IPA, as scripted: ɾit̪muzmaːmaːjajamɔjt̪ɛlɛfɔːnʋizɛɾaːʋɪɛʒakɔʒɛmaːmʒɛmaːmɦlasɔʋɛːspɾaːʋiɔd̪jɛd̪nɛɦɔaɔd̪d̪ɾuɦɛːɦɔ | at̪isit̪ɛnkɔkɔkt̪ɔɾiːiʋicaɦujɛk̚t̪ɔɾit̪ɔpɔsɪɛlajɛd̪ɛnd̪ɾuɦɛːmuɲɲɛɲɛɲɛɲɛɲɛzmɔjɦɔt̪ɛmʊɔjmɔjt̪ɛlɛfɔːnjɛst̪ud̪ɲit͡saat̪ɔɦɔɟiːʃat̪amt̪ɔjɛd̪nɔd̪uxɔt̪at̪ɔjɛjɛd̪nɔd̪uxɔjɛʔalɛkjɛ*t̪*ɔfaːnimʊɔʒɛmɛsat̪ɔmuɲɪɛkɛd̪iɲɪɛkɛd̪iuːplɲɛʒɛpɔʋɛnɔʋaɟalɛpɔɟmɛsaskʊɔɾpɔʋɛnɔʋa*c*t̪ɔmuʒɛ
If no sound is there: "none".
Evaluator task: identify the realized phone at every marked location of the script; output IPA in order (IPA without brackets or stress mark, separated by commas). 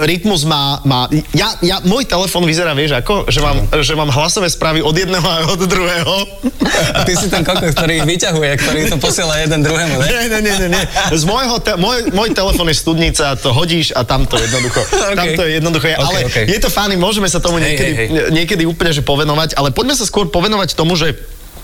t̪, c